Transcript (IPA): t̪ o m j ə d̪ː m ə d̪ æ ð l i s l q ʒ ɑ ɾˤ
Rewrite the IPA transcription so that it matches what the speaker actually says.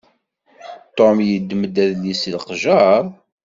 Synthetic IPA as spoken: t̪ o m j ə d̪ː m ə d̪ æ ð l i s l q ʒ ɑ ɾˤ